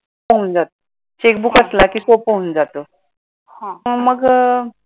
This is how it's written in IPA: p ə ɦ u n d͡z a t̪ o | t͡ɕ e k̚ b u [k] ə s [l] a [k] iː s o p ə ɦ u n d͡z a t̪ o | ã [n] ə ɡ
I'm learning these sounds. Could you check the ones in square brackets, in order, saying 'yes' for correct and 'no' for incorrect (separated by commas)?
yes, yes, yes, no